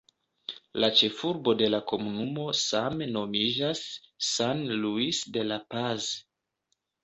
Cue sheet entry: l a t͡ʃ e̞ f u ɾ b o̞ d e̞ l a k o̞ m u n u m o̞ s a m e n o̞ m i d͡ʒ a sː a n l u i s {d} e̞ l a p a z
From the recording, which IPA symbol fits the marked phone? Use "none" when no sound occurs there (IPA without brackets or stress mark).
d